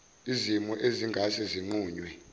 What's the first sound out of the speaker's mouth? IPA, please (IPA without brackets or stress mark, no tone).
i